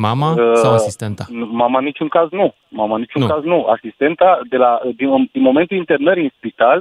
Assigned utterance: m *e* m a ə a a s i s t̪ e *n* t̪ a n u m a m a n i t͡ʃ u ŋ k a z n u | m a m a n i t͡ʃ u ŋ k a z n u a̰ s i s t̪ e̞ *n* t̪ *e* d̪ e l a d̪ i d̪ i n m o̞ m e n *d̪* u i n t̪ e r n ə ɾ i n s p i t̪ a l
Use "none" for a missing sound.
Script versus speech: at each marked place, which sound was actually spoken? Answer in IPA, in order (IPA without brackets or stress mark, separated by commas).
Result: a, n, n, a, t̪